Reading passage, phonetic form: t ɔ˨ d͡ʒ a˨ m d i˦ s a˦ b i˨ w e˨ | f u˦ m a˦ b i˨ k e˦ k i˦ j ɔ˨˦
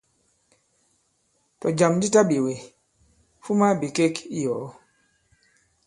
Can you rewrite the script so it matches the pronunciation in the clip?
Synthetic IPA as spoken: t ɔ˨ d͡ʒ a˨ m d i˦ t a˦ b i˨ w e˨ | f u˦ m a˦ b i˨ k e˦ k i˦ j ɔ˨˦